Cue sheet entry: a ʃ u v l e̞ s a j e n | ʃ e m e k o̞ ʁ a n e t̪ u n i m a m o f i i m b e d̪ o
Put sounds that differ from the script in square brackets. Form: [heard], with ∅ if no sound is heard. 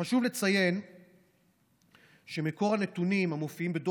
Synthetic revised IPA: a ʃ u v l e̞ [t͡s] a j e n | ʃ e m e k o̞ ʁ a n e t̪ u n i m a m o f i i m b e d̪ o